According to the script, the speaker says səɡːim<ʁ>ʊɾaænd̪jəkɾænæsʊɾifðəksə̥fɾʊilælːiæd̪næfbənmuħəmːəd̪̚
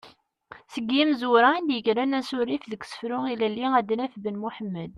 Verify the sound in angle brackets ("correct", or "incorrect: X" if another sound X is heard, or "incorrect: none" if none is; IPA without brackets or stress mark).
incorrect: z